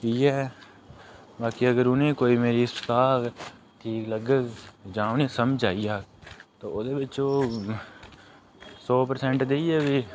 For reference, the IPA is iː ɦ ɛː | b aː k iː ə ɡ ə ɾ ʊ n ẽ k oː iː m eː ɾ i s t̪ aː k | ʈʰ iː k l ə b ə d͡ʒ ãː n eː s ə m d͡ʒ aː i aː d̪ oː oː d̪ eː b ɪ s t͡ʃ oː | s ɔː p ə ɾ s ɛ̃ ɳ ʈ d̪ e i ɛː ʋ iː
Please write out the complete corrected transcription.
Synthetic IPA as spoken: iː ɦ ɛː | b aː k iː ə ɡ ə ɾ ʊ n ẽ k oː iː m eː ɾ i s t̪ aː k | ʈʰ iː k l ə ɡ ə d͡ʒ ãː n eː s ə m d͡ʒ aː i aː t̪ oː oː d̪ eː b ɪ t͡ʃ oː | s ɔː p ə ɾ s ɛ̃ ɳ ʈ d̪ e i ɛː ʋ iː